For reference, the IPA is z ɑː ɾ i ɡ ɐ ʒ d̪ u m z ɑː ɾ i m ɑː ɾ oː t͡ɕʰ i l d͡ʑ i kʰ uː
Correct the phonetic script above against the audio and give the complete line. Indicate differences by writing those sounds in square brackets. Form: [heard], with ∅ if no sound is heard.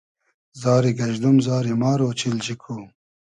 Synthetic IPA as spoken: z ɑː ɾ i ɡ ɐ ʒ d̪ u m z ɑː ɾ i m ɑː ɾ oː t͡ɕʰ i l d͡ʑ i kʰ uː